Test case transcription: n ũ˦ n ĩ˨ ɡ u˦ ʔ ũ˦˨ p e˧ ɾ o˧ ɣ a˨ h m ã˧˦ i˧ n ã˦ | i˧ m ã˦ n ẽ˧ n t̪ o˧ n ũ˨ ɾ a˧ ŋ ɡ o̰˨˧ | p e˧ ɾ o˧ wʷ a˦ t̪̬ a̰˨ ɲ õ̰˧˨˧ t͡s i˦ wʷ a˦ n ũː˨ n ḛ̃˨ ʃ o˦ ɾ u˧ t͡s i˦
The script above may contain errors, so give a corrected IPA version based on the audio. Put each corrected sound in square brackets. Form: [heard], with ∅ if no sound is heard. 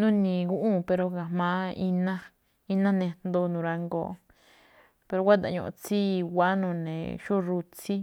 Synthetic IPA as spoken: n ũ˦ n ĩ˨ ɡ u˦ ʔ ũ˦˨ p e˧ ɾ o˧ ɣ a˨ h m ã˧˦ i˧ n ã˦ | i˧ [n] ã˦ n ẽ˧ n [d̪] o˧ n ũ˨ ɾ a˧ ŋ ɡ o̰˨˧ | p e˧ ɾ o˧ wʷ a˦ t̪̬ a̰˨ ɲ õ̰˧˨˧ t͡s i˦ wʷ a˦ n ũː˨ n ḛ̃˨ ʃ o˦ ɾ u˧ t͡s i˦